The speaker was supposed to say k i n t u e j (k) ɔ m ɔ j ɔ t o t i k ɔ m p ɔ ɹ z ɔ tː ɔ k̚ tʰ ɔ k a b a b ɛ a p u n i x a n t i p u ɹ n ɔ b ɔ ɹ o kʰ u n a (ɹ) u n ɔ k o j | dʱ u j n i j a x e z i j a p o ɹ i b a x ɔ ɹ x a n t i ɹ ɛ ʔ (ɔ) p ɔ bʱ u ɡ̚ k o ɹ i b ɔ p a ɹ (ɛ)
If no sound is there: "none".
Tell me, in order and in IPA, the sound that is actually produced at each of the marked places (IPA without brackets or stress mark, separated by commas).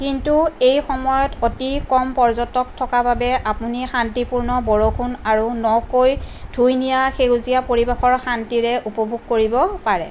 x, ɹ, u, ɛ